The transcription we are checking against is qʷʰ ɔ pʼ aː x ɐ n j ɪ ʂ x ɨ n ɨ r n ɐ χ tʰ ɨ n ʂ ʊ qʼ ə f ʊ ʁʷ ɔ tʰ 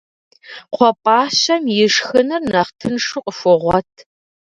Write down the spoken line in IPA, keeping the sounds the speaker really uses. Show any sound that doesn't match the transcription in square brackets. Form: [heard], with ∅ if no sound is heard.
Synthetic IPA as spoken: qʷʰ ɔ pʼ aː [ɕ] ɐ [m] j ɪ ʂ x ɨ n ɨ r n ɐ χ tʰ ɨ n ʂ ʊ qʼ ə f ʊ ʁʷ ɔ tʰ

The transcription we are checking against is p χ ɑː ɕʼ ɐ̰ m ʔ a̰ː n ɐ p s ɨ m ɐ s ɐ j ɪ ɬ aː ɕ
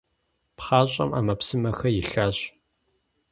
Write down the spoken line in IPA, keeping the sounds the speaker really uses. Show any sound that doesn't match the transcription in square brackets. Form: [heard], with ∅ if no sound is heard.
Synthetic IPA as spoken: p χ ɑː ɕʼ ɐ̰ m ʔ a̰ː [m] ɐ p s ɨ m ɐ [x] ɐ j ɪ ɬ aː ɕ

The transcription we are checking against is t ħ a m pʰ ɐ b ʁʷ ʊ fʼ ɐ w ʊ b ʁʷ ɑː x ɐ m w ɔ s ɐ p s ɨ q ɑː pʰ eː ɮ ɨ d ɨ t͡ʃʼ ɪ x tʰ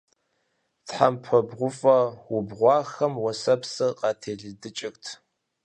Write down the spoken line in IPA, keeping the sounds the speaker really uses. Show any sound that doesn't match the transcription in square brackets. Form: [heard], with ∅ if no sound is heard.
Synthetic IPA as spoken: t ħ a m pʰ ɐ b ʁʷ ʊ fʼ ɐ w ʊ b ʁʷ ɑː x ɐ m w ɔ s ɐ p s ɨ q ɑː [tʰ] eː ɮ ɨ d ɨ t͡ʃʼ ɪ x tʰ

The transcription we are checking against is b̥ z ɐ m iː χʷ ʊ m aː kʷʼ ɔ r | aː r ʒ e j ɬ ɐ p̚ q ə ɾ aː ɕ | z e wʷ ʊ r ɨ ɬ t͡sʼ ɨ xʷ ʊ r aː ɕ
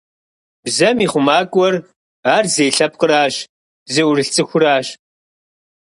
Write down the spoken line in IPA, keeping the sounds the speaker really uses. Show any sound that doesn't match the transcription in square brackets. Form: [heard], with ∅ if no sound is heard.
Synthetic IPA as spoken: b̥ z ɐ m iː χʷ ʊ m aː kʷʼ ɔ r | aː r [z] e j ɬ ɐ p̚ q ə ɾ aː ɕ | z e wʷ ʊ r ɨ ɬ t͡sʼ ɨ xʷ ʊ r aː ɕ

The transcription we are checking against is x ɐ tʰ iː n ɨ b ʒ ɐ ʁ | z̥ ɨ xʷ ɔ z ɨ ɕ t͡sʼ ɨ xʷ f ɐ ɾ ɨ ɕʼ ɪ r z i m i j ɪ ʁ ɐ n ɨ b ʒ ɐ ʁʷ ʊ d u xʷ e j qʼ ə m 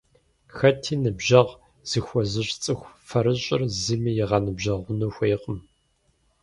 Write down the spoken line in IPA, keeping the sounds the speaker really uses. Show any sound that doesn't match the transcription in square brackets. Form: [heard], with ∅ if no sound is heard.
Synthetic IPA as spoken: x ɐ tʰ iː n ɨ b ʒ ɐ ʁ | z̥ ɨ xʷ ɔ z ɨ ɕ t͡sʼ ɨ xʷ f ɐ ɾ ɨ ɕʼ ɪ r z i m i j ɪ ʁ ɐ n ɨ b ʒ ɐ ʁʷ ʊ [n] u xʷ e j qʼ ə m

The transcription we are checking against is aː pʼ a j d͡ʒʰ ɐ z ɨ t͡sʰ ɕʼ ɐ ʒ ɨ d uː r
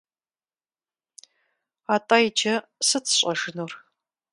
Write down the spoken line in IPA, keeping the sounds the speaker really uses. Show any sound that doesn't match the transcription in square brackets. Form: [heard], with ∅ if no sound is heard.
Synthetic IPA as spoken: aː [tʼ] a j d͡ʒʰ ɐ [s] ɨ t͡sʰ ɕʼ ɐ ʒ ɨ [n] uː r

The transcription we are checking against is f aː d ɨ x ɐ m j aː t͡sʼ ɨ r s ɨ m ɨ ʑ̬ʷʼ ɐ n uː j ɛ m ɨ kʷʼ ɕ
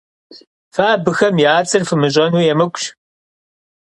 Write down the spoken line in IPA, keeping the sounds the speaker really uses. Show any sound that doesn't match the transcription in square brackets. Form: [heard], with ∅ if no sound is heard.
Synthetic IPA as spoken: f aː [b] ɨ x ɐ m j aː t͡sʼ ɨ r [f] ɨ m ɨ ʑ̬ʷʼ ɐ n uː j ɛ m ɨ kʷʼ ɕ

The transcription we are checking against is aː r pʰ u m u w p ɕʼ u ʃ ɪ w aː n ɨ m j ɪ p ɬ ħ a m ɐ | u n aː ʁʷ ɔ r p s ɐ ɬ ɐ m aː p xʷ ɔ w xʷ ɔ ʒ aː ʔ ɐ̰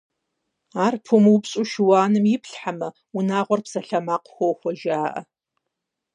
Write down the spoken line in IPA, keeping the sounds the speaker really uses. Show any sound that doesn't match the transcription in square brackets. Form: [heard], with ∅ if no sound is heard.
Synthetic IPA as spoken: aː r pʰ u m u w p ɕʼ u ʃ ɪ w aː n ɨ m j ɪ p ɬ ħ a m ɐ | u n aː ʁʷ ɔ r p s ɐ ɬ ɐ m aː [q] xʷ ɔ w xʷ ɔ ʒ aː ʔ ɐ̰

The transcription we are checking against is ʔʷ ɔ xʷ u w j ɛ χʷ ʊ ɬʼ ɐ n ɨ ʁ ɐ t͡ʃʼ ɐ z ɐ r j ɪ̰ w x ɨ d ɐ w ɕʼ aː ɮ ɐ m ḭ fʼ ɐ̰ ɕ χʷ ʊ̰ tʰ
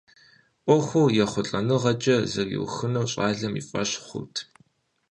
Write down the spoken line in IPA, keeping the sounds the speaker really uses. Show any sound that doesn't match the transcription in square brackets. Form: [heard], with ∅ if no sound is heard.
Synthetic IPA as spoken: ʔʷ ɔ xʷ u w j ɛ χʷ ʊ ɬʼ ɐ n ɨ ʁ ɐ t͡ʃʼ ɐ z ɐ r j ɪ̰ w x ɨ [n] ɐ w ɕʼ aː ɮ ɐ m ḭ fʼ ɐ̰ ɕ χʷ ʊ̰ tʰ

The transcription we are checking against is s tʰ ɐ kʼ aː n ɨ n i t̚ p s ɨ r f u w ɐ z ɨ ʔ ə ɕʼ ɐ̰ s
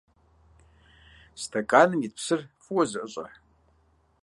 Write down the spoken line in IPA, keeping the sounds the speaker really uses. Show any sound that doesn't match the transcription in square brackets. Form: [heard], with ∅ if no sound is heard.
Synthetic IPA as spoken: s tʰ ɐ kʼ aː n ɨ [m] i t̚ p s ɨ r f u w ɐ z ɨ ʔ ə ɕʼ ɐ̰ [ħ]

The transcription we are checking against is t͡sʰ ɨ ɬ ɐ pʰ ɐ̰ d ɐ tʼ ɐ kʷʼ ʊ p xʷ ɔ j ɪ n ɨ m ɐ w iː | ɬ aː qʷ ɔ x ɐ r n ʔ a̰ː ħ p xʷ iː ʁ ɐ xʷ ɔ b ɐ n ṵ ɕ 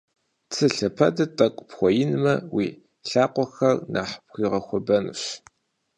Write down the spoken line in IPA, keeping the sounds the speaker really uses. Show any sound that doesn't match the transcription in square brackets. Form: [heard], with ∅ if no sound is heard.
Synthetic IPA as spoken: t͡sʰ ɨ ɬ ɐ pʰ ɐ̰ d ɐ tʼ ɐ kʷʼ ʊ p xʷ ɔ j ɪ n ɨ m ɐ w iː | ɬ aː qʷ ɔ x ɐ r n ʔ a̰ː ħ p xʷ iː ʁ ɐ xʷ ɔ b ɐ n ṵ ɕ

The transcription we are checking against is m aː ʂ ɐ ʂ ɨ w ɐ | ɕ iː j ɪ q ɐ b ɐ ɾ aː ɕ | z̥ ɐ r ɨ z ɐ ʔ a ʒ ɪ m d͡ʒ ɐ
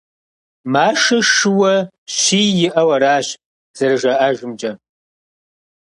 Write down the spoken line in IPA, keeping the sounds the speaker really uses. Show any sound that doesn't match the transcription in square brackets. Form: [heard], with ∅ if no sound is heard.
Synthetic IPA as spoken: m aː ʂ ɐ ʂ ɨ w ɐ | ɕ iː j ɪ [ʔ] ɐ [w] ɐ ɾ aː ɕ | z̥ ɐ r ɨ [ʒ] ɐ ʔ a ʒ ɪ m d͡ʒ ɐ

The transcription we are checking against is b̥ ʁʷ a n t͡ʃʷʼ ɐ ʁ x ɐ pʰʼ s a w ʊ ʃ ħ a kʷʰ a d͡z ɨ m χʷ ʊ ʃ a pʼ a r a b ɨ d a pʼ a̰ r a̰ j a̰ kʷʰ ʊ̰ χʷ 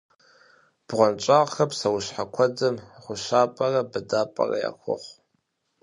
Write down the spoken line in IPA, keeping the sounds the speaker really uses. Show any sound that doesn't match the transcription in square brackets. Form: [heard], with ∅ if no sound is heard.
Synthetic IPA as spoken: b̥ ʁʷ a n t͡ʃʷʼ [a] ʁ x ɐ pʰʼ s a w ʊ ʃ ħ a kʷʰ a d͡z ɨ m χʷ ʊ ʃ a pʼ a r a b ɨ d a pʼ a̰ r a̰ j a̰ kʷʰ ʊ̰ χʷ

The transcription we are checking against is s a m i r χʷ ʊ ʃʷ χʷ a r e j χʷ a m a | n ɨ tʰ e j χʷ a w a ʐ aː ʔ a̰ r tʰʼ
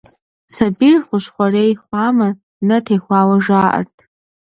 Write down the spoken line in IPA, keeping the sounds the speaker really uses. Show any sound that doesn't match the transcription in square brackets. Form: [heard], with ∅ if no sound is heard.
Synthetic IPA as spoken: s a [b] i r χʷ ʊ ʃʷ χʷ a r e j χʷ a m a | n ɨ tʰ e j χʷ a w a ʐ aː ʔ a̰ r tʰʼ

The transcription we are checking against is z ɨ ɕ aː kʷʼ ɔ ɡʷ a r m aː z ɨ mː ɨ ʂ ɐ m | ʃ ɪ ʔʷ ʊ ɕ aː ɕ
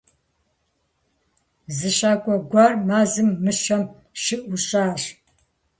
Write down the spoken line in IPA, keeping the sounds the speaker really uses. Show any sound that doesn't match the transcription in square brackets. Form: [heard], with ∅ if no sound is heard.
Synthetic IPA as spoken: z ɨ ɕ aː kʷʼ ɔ ɡʷ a r m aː z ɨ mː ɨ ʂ ɐ m | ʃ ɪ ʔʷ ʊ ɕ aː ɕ

